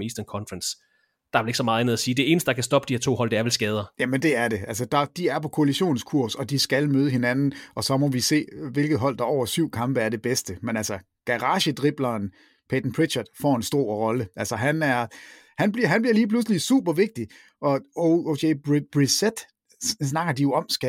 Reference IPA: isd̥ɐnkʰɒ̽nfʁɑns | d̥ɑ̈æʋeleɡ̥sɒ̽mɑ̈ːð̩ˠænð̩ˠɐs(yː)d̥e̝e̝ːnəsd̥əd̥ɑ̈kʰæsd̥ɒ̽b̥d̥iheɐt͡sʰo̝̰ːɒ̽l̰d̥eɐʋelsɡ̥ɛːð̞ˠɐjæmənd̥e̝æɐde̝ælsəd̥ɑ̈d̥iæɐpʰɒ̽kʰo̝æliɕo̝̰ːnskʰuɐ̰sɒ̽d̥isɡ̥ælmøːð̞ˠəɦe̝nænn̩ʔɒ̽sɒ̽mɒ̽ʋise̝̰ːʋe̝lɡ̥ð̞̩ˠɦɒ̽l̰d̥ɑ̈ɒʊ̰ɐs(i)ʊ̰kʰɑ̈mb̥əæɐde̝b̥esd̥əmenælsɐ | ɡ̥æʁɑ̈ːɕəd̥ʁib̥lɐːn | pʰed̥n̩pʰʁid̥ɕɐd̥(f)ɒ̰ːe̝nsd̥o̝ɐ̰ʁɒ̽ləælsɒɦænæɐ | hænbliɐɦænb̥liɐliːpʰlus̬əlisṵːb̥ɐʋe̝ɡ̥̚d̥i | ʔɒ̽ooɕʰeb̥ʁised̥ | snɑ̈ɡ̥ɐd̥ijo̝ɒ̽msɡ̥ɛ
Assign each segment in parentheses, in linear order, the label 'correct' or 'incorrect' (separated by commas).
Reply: incorrect, incorrect, correct